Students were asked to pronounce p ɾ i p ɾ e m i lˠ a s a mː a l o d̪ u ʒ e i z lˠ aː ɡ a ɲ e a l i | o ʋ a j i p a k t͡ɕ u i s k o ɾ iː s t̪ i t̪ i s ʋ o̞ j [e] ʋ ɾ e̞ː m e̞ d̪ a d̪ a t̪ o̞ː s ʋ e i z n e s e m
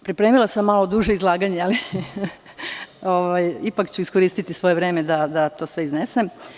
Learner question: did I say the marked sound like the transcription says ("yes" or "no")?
yes